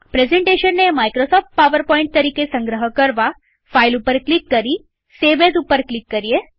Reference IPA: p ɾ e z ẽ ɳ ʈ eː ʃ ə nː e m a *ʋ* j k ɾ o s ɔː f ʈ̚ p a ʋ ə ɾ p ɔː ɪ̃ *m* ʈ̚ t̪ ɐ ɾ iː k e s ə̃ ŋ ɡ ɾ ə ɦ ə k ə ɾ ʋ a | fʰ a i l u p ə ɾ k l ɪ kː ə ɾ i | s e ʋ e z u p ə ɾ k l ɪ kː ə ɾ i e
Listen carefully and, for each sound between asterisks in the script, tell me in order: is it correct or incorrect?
incorrect: none, incorrect: ɳ

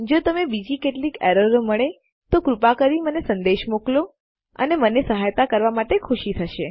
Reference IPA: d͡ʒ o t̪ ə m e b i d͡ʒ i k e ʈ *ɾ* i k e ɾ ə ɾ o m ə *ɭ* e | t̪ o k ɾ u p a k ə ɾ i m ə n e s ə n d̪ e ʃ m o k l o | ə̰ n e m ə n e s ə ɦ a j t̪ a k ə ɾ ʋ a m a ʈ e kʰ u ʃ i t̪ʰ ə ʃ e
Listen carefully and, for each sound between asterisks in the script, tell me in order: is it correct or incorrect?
incorrect: l, correct

